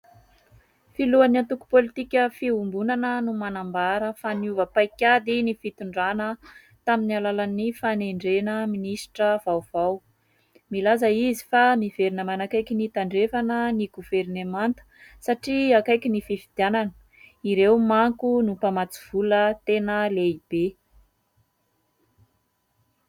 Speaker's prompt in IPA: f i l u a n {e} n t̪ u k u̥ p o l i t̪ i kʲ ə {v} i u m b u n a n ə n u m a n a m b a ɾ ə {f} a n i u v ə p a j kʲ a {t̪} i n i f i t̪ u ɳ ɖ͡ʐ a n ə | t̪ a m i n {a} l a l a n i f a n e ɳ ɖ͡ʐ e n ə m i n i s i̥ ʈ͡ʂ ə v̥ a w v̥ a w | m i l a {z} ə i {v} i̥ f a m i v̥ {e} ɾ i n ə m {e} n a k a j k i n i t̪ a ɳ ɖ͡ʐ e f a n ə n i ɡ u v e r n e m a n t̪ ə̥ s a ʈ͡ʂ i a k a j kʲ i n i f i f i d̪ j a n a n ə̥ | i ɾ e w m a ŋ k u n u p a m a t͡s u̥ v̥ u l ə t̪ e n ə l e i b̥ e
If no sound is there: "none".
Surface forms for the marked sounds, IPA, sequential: a, f, f, d̪, a, z, z, e, a

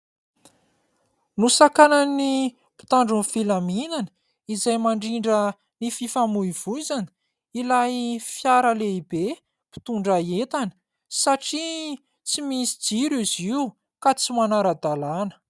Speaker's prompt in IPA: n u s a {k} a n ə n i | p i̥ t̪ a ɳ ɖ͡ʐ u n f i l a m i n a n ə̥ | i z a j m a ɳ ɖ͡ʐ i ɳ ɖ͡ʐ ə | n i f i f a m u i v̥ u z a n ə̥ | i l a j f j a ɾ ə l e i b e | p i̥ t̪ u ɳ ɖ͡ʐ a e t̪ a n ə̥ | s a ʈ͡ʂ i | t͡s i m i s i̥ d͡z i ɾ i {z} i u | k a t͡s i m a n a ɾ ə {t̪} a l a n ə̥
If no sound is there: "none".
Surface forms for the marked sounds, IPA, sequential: k, z, d̪

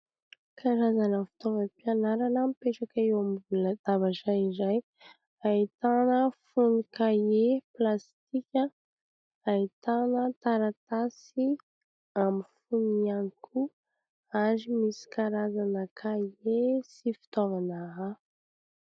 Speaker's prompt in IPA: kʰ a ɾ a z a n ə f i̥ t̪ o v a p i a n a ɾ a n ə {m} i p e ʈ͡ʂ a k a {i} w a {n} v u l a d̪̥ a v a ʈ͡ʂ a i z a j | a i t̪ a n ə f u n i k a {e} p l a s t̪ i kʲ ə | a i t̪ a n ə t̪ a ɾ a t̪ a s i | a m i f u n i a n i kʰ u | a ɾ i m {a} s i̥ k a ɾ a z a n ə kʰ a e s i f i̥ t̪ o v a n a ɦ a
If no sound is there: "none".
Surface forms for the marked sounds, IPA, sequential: m, e, m, e, i

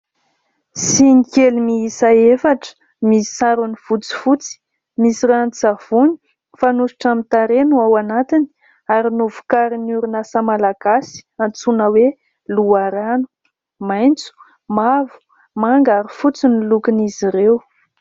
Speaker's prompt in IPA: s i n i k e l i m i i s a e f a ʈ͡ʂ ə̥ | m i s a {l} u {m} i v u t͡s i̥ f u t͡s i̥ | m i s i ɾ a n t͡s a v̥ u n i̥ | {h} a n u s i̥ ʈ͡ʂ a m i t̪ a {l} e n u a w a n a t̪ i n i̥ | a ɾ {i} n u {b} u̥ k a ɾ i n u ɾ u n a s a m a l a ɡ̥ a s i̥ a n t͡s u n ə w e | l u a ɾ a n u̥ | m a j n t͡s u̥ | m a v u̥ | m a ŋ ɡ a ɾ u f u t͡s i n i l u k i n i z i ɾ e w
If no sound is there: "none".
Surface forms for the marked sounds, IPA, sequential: ɾ, n, f, ɾ, i, v

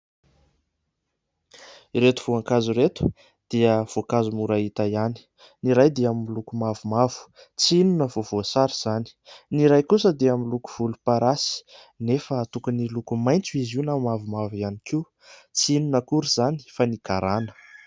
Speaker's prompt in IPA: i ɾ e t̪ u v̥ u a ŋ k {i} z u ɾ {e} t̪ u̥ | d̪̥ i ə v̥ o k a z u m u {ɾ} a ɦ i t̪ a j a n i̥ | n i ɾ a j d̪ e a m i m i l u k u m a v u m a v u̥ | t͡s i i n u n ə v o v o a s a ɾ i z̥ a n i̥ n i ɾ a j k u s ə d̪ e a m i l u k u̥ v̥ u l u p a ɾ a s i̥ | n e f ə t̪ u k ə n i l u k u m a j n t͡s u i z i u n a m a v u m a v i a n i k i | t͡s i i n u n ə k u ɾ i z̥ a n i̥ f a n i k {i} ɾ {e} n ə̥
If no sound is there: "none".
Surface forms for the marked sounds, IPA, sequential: a, e, ɾ, a, a

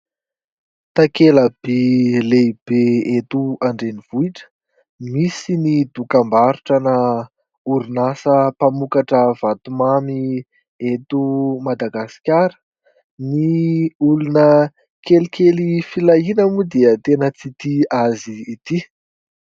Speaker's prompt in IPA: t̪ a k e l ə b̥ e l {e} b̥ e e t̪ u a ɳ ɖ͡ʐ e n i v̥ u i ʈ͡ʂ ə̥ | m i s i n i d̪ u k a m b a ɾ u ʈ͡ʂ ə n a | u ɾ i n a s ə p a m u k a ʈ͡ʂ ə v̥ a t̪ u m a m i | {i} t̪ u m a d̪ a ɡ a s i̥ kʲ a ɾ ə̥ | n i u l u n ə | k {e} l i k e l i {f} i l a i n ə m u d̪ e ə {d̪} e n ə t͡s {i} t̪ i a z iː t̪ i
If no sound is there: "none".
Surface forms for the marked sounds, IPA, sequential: e, e, e, f, t̪, i

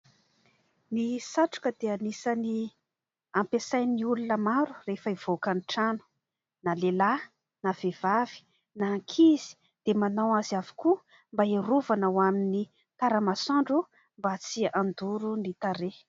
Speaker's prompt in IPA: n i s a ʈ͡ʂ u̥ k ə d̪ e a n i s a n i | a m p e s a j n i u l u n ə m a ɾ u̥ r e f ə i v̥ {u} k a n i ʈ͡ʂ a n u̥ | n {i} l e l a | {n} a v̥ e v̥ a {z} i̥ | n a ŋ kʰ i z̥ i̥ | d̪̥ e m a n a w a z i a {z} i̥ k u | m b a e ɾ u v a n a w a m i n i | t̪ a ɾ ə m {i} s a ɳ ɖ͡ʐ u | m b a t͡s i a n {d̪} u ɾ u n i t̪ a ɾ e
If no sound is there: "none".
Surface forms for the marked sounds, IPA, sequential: o, a, n, v, v, a, d̪

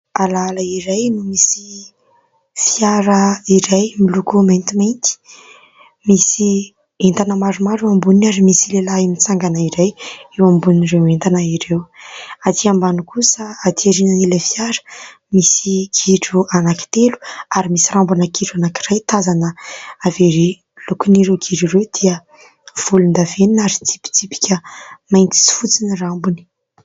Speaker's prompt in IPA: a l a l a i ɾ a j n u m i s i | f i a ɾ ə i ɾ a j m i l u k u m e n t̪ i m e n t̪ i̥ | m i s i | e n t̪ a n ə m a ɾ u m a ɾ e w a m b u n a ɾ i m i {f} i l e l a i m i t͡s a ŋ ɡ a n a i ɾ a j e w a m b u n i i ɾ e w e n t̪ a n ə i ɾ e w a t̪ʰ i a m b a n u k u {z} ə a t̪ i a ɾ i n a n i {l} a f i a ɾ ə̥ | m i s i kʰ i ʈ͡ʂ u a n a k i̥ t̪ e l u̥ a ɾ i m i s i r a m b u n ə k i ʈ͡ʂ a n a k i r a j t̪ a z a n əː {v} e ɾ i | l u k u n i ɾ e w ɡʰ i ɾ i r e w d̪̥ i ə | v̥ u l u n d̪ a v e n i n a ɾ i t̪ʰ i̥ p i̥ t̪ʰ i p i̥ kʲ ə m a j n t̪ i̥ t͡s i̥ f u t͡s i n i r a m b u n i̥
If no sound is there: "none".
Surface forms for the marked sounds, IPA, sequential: s, s, l, v

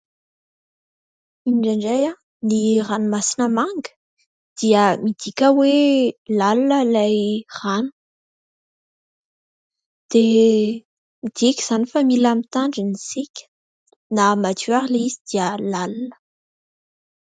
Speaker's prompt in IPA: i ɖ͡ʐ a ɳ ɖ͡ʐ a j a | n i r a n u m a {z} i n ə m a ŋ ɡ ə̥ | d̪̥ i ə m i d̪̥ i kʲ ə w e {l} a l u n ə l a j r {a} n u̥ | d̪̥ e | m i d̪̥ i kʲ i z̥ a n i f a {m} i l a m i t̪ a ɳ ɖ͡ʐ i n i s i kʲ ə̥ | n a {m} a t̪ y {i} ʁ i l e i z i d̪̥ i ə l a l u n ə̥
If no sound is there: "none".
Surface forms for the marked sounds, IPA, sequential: s, l, a, m, m, a

